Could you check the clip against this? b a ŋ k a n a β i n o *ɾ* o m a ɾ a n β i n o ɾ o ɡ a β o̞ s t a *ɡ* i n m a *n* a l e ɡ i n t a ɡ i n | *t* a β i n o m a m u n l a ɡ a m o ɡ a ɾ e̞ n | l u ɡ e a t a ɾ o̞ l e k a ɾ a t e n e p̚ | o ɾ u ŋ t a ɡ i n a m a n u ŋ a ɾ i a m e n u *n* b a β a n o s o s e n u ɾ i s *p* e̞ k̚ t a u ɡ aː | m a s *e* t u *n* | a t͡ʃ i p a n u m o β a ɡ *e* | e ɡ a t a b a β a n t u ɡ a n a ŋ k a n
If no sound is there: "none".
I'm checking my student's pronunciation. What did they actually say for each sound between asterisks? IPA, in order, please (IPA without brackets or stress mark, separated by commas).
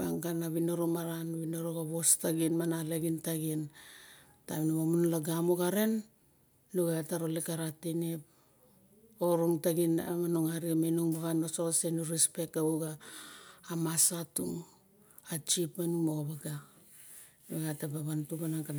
ɾ, ɡ, n, t, ŋ, p, a, ŋ, a